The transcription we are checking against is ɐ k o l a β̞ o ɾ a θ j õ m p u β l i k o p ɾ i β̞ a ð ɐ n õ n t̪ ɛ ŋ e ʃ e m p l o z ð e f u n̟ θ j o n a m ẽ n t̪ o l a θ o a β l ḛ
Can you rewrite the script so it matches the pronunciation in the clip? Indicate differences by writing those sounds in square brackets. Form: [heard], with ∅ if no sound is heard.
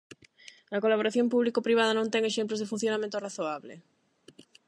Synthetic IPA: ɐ k o l a β̞ o ɾ a θ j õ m p u β l i k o p ɾ i β̞ a ð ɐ n õ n t̪ ɛ ŋ e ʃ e m p l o z ð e f u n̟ θ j o n a m ẽ n t̪ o [r] a θ o a β l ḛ